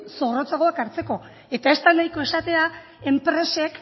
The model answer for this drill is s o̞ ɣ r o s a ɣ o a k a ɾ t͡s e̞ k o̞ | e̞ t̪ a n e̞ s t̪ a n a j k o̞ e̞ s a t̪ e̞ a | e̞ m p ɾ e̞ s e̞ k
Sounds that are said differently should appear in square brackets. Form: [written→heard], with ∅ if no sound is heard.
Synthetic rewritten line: s o̞ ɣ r o [s→t͡s] a ɣ o a k a ɾ t͡s e̞ k o̞ | e̞ t̪ a [n→∅] e̞ s t̪ a n a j k o̞ e̞ s a t̪ e̞ a | e̞ m p ɾ e̞ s e̞ k